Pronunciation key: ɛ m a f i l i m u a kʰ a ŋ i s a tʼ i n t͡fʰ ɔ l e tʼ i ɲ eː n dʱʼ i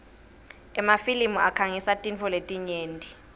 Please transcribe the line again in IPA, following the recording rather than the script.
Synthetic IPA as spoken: ɛ m a f i l i m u a kʰ a ŋ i s a tʼ i n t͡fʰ ɔ l e tʼ i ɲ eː n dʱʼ i